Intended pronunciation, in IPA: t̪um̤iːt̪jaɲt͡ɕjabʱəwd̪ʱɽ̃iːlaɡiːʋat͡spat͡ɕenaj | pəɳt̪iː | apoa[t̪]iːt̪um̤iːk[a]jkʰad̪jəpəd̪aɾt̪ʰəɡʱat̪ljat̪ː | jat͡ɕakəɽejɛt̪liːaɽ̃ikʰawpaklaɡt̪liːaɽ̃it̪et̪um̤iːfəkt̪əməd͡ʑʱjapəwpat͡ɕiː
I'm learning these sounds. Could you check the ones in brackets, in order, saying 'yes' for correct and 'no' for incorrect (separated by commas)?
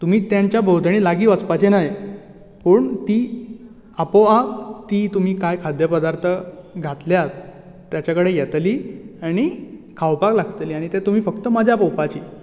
yes, yes